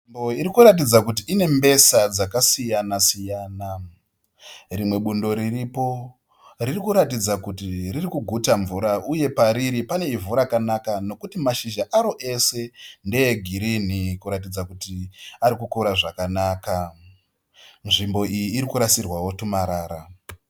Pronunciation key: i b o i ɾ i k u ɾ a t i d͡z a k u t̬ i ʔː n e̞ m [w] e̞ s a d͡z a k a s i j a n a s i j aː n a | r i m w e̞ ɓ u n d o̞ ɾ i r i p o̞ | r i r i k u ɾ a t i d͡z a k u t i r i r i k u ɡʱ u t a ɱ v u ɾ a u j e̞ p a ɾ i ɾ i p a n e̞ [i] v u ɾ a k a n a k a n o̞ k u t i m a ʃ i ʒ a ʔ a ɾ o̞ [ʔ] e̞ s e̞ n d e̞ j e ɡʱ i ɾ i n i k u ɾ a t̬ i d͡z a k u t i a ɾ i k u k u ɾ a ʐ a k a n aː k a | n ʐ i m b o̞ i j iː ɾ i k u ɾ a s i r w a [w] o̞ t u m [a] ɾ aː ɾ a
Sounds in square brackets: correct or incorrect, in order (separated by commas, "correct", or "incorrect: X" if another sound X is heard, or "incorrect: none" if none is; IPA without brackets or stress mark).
incorrect: b, correct, correct, correct, correct